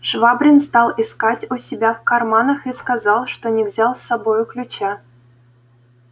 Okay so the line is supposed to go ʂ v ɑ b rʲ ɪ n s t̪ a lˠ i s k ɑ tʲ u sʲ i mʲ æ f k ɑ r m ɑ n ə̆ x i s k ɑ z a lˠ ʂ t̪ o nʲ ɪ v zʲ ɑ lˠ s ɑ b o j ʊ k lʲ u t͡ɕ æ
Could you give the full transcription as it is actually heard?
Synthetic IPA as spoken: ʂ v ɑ b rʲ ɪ n s t̪ ɑ lˠ i s k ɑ tʲ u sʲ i bʲ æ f k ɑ r m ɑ n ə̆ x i s k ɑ z ɑ lˠ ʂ t̪ o nʲ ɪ v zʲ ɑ lˠ s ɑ b o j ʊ k lʲ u t͡ɕ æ